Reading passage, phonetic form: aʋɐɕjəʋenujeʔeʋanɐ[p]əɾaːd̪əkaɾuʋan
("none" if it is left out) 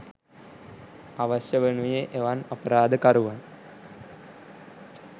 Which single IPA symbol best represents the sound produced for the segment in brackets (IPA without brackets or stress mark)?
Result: p